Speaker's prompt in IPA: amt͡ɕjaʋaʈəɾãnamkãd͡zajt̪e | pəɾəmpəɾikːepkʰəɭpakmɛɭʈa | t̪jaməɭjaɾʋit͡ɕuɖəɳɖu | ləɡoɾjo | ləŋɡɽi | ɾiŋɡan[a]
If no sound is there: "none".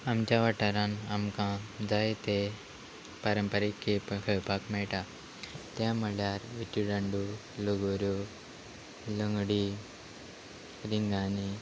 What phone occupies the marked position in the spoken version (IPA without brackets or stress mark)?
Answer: i